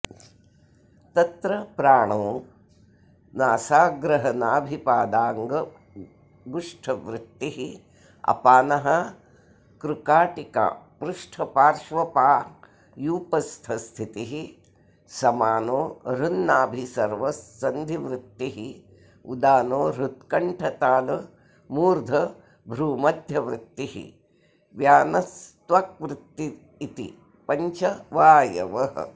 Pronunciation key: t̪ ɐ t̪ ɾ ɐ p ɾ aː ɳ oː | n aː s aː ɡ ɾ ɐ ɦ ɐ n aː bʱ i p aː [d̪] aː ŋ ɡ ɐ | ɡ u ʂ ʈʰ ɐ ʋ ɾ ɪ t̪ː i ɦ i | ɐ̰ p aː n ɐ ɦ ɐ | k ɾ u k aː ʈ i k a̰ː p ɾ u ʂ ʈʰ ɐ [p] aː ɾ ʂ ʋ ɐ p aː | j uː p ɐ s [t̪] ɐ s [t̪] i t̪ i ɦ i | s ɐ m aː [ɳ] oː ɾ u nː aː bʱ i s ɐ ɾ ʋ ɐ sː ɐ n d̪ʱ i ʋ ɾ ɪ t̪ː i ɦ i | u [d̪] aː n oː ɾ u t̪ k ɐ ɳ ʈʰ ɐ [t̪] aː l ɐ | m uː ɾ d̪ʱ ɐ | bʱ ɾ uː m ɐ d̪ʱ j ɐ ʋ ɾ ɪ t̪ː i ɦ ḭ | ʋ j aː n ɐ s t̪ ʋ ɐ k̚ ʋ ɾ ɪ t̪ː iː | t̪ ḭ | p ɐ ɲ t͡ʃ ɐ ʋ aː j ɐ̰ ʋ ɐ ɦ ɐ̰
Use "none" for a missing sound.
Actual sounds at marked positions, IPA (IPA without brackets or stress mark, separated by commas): d̪, p, t̪ʰ, t̪ʰ, n, d̪, t̪